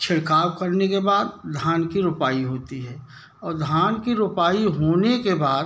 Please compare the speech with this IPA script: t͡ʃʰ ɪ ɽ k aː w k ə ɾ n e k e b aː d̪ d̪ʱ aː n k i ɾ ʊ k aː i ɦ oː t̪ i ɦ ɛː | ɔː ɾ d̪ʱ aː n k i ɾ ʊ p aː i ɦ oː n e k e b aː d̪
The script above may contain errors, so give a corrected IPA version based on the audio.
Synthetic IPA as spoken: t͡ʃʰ ɪ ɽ k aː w k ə ɾ n e k e b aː d̪ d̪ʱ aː n k i ɾ ʊ p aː i ɦ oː t̪ i ɦ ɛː | ɔː ɾ d̪ʱ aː n k i ɾ ʊ p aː i ɦ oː n e k e b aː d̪